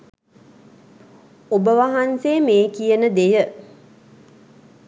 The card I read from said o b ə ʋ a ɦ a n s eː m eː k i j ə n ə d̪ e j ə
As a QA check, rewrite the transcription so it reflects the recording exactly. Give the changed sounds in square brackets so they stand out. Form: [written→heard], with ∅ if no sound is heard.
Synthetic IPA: o b ə ʋ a ɦ a n s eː m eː k i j ə n ə d̪ e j ə